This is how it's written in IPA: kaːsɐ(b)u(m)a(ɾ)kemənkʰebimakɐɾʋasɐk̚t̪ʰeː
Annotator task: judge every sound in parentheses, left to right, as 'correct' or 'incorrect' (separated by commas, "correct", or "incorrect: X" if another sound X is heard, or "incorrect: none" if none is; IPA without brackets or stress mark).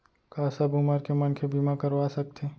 correct, correct, correct